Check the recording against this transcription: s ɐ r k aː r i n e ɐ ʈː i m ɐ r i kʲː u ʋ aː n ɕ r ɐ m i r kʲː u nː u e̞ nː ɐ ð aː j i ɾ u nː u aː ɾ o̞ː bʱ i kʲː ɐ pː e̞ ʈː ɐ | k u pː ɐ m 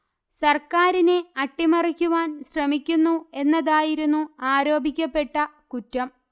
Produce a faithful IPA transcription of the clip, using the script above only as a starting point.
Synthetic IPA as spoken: s ɐ r k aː ɾ i n e ɐ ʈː i m ɐ r i kʲː u ʋ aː n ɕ r ɐ m i kʲː u nː u e̞ nː ɐ ð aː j i ɾ u nː u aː ɾ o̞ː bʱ i kʲː ɐ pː e̞ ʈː ɐ | k u tː ɐ m